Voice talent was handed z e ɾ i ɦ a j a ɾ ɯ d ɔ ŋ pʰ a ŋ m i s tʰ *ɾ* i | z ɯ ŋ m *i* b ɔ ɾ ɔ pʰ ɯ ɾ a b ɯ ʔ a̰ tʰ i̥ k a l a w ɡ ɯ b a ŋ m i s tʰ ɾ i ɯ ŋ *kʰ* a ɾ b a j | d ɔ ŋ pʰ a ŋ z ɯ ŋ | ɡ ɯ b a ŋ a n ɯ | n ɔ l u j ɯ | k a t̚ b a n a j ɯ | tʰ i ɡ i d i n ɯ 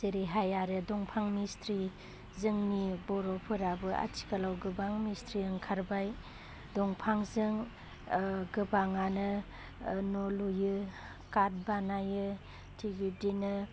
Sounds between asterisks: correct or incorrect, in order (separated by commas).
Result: correct, correct, correct